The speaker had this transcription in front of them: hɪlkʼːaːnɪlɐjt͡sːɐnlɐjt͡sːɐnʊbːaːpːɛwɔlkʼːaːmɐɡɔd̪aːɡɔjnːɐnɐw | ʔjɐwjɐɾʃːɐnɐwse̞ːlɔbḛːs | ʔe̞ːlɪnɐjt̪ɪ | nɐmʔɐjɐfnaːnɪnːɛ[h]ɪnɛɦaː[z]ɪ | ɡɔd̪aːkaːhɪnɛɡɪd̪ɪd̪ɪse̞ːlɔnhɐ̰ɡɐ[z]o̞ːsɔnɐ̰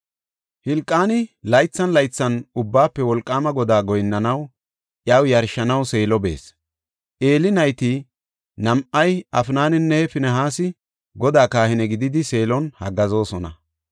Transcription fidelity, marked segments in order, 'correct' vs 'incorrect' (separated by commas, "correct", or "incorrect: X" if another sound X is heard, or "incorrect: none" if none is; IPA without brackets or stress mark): incorrect: f, incorrect: s, correct